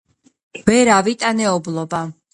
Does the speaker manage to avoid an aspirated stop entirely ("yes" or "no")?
yes